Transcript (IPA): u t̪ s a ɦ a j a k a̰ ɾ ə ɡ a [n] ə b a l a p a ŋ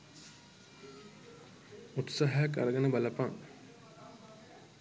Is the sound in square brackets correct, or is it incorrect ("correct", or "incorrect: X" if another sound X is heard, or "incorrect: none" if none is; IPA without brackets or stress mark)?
correct